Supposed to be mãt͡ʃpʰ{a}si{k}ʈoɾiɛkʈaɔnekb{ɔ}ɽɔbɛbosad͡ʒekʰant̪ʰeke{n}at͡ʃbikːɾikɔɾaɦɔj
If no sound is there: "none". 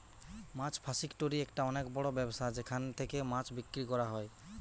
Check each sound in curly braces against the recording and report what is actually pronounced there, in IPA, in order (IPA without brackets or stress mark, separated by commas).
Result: a, k, ɔ, m